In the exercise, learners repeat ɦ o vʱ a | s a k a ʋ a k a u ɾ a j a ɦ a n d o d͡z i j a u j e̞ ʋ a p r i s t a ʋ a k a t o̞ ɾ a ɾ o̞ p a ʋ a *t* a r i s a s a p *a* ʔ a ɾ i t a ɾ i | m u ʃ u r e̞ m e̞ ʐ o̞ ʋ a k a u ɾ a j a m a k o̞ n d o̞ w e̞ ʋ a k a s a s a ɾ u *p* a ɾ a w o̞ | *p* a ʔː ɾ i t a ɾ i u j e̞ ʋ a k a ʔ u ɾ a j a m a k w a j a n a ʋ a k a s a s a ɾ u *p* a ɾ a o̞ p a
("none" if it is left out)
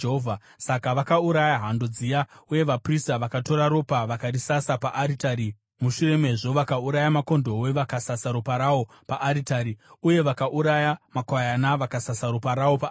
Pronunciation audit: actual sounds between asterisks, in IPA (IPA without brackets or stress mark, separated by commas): k, a, p, p, p